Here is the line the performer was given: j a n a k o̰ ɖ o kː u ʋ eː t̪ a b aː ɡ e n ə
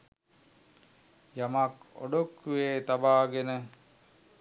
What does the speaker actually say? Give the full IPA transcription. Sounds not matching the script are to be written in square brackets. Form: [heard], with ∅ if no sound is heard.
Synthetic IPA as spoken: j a [m] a k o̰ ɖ o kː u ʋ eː t̪ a b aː ɡ e n ə